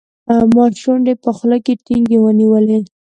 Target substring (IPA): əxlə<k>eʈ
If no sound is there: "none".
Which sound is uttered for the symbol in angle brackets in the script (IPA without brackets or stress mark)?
k